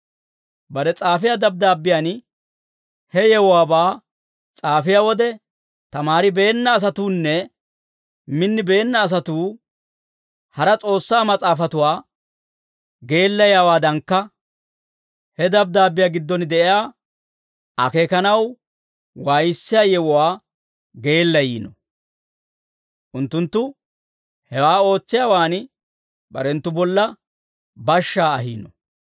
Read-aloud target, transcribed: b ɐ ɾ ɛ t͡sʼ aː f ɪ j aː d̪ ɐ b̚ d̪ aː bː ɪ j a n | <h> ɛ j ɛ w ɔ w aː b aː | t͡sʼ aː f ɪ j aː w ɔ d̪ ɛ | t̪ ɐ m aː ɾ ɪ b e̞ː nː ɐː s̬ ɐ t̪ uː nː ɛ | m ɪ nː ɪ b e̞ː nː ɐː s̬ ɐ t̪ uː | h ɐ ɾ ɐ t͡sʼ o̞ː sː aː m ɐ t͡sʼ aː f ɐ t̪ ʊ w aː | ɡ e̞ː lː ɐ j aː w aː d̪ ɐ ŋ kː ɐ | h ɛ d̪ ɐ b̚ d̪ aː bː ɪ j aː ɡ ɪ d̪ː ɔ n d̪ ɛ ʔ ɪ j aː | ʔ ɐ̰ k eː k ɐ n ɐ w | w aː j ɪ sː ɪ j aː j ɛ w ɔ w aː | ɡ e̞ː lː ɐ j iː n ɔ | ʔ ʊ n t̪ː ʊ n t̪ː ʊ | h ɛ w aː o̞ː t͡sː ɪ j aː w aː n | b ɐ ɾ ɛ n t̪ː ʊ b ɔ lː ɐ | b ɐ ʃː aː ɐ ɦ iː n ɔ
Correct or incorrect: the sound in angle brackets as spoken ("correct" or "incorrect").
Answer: correct